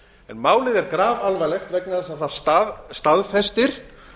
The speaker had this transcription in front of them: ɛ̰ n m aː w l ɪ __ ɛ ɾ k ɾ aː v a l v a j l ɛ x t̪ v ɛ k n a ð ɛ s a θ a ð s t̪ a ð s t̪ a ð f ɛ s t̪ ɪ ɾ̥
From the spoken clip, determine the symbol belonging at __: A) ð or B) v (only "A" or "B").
A